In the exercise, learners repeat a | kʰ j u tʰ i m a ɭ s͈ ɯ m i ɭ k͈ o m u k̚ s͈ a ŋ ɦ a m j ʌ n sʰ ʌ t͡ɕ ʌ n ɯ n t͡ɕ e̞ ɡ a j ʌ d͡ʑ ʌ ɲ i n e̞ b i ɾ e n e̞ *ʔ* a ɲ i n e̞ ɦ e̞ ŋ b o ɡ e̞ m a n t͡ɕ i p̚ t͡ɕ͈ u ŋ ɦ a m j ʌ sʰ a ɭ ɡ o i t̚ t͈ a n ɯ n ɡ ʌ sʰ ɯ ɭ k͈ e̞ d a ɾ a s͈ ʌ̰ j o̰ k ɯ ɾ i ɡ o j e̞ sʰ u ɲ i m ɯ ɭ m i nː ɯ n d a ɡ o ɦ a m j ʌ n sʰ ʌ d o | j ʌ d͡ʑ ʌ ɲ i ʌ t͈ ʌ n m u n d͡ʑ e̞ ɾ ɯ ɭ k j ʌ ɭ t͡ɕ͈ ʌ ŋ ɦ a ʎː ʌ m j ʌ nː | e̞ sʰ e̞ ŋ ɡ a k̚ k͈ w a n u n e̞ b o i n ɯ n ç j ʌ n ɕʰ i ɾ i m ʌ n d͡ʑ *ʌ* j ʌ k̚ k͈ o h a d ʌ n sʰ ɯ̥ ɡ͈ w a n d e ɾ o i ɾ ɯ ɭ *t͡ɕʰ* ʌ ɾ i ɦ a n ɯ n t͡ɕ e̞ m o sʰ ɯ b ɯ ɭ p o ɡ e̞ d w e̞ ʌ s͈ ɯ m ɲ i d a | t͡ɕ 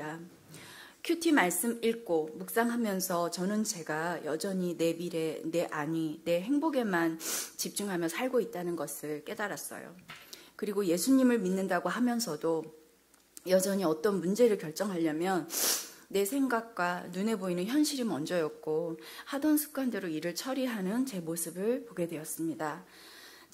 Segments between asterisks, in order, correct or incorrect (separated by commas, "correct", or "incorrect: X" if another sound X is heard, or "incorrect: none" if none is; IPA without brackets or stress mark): correct, correct, correct